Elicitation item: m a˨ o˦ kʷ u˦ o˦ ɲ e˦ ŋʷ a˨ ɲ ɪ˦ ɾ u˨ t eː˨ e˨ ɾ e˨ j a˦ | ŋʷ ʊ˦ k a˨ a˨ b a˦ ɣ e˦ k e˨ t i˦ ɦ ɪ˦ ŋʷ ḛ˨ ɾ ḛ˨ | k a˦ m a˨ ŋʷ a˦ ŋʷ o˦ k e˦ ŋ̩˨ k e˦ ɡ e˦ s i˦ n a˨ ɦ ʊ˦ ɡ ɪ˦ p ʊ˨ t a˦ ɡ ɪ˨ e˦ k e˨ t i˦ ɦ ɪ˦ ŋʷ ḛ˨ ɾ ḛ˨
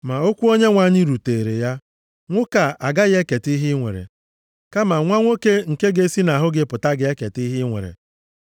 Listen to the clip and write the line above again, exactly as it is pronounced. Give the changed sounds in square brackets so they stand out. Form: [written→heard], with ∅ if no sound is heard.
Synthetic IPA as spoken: m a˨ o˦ kʷ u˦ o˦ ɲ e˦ ŋʷ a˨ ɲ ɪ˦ ɾ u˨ t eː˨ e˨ ɾ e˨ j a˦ | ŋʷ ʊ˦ k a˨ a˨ [b→ɡ] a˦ ɣ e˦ k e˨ t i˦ ɦ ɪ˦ ŋʷ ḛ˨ ɾ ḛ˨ | k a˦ m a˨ ŋʷ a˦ ŋʷ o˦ k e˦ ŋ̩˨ k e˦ ɡ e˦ s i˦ n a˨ ɦ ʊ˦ ɡ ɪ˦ p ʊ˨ t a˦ ɡ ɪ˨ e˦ k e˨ t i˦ ɦ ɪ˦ ŋʷ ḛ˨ ɾ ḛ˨